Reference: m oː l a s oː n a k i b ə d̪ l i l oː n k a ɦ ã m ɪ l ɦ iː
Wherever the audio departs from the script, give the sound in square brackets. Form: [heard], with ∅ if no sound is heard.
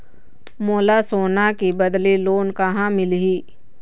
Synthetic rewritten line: m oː l a s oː n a k i b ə d̪ l i l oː n k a ɦ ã m ɪ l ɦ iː